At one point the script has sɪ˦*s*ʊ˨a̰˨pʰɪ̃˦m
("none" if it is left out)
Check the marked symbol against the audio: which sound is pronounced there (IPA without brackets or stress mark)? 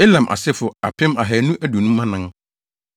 f